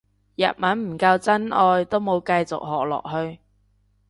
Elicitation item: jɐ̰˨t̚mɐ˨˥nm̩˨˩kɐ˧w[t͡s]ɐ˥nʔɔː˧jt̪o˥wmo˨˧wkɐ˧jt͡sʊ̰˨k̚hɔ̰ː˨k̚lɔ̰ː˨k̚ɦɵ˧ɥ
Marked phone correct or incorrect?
correct